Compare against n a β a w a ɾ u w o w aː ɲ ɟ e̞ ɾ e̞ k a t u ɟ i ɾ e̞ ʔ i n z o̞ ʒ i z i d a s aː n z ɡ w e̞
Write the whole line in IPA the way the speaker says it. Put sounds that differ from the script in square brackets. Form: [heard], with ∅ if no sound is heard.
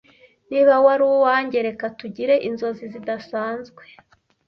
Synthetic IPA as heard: n [i] β a w a ɾ u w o w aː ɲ ɟ e̞ ɾ e̞ k a t u ɟ i ɾ e̞ ʔ i n z o̞ [z] i z i d a s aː n z ɡ w e̞